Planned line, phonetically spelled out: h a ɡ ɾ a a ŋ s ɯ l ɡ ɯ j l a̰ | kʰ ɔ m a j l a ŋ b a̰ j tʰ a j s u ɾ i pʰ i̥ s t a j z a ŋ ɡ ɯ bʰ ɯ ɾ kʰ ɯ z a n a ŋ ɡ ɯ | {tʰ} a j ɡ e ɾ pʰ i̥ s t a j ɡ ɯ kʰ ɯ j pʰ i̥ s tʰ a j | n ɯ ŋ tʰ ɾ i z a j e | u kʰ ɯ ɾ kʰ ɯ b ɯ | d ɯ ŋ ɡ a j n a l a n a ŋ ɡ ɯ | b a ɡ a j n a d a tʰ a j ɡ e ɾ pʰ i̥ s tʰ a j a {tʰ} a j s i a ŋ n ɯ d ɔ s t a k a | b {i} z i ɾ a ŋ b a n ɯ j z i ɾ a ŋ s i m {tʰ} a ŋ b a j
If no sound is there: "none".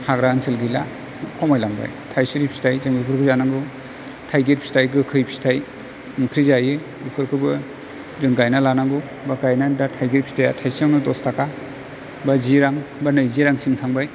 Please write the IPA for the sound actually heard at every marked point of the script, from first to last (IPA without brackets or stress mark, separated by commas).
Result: tʰ, tʰ, a, tʰ